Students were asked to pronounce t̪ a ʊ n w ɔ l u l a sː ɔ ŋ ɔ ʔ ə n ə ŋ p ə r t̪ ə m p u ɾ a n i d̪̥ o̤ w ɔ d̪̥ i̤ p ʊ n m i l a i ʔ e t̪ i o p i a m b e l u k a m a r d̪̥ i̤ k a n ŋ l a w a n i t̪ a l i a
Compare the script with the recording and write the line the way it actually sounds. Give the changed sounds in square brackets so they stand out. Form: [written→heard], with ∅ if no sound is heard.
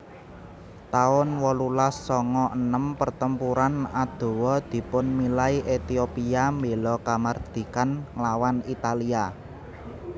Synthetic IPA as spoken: t̪ a ʊ n w ɔ l u l a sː ɔ ŋ ɔ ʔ ə n ə [ŋ→m] p ə r t̪ ə m p u ɾ a n [i→a] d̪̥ o̤ w ɔ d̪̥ i̤ p ʊ n m i l a i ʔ e t̪ i o p i a m b e l [u→ɔ] k a m a r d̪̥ i̤ k a n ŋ l a w a n i t̪ a l i a